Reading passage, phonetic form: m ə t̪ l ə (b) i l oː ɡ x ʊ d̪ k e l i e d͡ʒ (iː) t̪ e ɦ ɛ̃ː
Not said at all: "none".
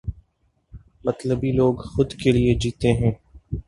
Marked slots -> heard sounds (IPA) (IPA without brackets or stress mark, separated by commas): b, iː